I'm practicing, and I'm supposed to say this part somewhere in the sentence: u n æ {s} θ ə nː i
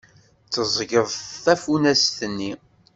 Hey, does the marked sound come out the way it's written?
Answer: yes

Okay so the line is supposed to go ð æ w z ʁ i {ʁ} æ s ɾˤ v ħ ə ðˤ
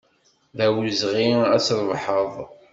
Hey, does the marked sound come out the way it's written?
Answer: no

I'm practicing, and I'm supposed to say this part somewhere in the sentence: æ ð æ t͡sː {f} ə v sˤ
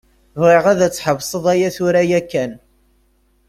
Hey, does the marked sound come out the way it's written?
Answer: no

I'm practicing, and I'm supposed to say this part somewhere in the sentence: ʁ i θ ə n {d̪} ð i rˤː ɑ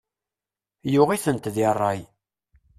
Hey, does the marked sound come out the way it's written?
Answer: no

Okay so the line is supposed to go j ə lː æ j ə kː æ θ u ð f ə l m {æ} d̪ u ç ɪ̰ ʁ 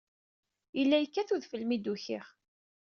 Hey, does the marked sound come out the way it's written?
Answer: no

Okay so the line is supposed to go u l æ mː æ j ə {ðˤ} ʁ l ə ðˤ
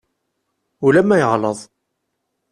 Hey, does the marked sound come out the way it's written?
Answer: no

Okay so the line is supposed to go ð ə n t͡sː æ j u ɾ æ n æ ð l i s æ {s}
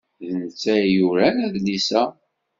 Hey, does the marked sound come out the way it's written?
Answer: no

